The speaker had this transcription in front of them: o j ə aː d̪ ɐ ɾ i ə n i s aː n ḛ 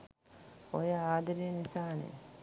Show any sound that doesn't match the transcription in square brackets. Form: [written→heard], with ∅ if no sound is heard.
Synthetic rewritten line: o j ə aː d̪ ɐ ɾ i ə n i s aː n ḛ